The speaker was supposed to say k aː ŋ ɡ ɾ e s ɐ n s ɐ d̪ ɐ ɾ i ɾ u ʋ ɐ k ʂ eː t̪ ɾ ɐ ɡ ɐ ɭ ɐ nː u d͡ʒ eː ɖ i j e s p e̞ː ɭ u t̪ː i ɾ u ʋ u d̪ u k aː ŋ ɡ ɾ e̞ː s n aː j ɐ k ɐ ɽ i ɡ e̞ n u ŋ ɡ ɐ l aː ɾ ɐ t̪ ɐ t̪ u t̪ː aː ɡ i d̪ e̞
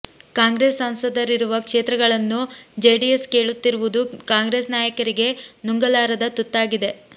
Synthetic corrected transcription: k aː ŋ ɡ ɾ e s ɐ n s ɐ d̪ ɐ ɾ i ɾ u ʋ ɐ k ʂ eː t̪ ɾ ɐ ɡ ɐ ɭ ɐ nː u d͡ʒ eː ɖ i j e s k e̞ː ɭ u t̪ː i ɾ u ʋ u d̪ u k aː ŋ ɡ ɾ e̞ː s n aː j ɐ k ɐ ɾ i ɡ e̞ n u ŋ ɡ ɐ l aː ɾ ɐ d̪ ɐ t̪ u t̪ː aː ɡ i d̪ e̞